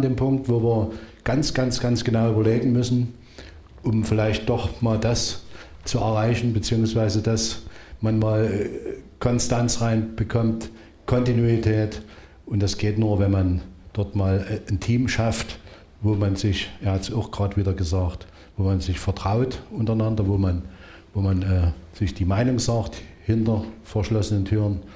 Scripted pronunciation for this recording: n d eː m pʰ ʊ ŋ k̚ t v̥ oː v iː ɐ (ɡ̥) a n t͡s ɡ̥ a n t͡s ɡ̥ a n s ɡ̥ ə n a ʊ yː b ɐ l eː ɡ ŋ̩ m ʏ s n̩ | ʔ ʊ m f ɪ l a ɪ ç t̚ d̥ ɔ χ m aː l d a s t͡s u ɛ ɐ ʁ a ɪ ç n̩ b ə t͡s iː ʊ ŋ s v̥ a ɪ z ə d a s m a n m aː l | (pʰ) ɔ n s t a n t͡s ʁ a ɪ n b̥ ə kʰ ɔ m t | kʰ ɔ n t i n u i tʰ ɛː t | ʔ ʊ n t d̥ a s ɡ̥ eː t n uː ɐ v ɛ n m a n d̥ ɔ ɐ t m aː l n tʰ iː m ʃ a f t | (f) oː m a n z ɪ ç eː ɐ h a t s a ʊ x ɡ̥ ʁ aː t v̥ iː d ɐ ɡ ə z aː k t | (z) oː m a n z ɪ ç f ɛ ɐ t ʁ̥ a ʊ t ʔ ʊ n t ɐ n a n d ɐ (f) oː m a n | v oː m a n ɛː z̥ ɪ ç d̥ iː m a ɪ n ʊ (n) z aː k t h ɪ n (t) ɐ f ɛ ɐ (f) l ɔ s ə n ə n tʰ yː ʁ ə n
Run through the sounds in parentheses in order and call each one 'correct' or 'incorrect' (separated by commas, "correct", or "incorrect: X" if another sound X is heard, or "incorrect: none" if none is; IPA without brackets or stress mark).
correct, incorrect: kʰ, incorrect: v, incorrect: v, incorrect: v, incorrect: ŋ, correct, incorrect: ʃ